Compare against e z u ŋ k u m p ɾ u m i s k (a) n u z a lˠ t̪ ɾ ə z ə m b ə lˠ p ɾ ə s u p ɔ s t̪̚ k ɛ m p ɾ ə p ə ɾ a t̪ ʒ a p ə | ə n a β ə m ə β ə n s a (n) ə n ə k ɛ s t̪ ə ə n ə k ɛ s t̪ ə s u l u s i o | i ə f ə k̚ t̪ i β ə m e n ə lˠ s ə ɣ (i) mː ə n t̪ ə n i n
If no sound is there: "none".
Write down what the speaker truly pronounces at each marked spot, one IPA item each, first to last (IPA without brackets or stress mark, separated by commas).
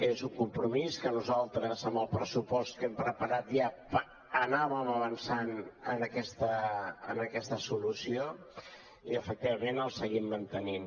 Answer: ə, n, i